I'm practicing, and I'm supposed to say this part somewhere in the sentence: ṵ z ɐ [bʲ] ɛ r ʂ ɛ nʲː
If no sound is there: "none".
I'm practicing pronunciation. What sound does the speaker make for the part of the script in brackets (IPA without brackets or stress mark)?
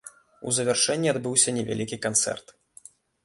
vʲ